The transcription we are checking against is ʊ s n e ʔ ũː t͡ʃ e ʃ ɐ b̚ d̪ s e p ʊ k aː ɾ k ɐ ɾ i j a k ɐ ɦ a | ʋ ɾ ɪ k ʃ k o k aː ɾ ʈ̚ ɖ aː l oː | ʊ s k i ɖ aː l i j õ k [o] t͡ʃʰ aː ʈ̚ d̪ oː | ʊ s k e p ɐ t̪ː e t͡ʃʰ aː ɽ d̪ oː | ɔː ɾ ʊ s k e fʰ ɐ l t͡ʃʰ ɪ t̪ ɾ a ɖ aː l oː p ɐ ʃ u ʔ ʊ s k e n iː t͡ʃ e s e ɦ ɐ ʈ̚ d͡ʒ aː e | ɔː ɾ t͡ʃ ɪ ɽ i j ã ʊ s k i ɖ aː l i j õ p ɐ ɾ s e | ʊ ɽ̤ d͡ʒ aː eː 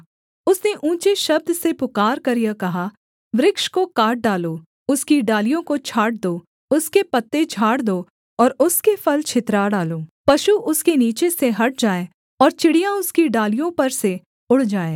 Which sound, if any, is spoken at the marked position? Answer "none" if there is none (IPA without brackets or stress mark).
o